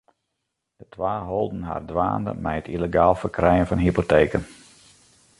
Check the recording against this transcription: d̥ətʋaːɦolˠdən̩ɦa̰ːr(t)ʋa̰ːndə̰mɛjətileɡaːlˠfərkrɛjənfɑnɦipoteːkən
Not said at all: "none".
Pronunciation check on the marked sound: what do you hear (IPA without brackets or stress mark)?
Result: d